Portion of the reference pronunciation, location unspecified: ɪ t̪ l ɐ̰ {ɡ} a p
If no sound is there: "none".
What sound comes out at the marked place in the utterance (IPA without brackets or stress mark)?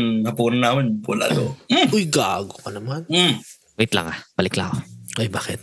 ŋ